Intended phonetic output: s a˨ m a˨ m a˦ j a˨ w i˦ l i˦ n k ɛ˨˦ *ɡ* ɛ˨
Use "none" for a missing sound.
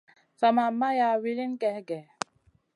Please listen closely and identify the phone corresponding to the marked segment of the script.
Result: ɡ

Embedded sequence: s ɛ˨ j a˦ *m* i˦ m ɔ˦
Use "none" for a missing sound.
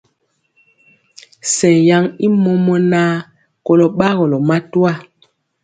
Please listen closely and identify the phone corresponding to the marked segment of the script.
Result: ŋ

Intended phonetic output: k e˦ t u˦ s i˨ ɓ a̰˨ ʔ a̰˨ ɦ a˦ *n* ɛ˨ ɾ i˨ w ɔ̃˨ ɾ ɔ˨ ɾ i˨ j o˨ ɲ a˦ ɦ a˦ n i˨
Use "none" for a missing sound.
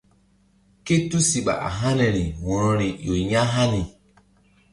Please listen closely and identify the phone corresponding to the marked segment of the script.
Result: n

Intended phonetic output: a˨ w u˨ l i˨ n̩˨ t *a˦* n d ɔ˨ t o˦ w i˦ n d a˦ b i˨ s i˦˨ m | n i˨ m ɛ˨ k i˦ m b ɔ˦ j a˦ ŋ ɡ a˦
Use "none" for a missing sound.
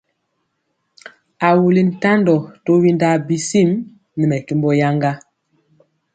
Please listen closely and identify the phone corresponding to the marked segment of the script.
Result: a˦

